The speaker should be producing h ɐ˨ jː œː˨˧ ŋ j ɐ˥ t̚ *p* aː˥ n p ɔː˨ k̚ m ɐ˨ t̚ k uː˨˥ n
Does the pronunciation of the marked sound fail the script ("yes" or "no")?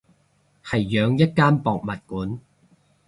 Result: yes